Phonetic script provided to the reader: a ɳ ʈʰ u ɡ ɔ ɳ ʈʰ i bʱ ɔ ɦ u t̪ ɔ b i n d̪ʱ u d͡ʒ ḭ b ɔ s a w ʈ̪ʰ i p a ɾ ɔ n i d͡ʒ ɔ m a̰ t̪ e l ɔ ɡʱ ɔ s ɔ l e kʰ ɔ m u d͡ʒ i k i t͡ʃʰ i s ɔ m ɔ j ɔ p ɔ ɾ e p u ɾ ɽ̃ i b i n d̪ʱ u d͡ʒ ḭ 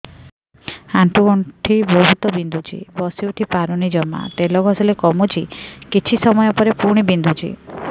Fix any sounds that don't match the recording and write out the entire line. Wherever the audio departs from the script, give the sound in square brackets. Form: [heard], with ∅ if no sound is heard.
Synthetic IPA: a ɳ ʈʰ u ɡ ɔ ɳ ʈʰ i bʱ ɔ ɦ u t̪ ɔ b i n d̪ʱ u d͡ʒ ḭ b ɔ s [i] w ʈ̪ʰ i p a ɾ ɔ n i d͡ʒ ɔ m a̰ t̪ e l ɔ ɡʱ ɔ s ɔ l e [k] ɔ m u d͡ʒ i k i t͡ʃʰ i s ɔ m ɔ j ɔ p ɔ ɾ e p u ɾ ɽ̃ i b i n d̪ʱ u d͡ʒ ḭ